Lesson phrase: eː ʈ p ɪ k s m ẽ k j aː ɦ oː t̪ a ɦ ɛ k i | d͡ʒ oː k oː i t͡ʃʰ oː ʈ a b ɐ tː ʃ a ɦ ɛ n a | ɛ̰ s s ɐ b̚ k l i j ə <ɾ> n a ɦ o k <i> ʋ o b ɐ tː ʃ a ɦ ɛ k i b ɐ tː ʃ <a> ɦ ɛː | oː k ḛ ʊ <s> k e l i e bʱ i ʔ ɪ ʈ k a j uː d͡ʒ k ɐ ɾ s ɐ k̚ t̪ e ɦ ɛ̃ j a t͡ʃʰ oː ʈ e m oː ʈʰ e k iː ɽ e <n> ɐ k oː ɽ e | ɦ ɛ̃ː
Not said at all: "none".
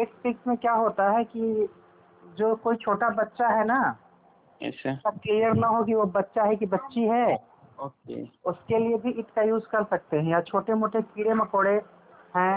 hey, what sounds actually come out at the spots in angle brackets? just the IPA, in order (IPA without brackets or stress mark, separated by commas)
ɾ, i, i, s, m